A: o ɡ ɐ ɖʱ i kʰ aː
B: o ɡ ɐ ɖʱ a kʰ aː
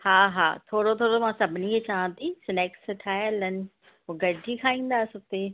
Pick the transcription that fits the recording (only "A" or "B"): A